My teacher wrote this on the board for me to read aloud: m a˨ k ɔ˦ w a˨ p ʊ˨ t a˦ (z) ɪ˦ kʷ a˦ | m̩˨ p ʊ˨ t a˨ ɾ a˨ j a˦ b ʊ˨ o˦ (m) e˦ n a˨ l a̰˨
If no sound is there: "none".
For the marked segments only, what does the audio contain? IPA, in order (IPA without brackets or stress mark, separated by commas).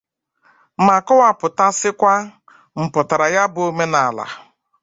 s, m